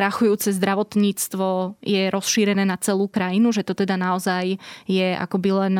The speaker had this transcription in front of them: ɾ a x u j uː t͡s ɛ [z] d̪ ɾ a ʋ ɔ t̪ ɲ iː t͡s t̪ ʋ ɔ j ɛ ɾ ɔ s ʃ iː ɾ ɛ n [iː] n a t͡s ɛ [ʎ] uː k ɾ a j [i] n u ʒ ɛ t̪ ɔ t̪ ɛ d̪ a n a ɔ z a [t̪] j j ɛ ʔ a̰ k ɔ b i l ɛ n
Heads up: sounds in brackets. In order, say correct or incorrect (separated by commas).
correct, incorrect, incorrect, correct, incorrect